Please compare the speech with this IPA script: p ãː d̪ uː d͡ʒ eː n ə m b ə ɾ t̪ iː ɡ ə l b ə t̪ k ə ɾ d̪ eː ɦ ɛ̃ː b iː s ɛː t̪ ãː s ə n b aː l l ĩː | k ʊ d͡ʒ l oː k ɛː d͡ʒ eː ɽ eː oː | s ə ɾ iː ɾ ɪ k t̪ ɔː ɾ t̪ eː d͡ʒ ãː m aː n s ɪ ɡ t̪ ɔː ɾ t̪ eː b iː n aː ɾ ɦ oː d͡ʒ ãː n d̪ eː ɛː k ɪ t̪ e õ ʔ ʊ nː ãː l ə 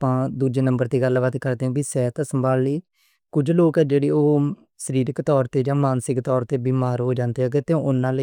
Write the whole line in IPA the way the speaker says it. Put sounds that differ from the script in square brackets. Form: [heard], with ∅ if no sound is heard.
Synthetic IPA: p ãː d̪ uː d͡ʒ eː n ə m b ə ɾ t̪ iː ɡ ə l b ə t̪ k ə ɾ d̪ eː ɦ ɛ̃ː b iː s ɛː t̪ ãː s ə [m] b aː l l [iː] | k ʊ d͡ʒ l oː k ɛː d͡ʒ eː ɽ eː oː | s ə ɾ iː ɾ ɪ k t̪ ɔː ɾ t̪ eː d͡ʒ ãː m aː n s ɪ [k] t̪ ɔː ɾ t̪ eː b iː [m] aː ɾ ɦ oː d͡ʒ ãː n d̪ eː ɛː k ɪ t̪ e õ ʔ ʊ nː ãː l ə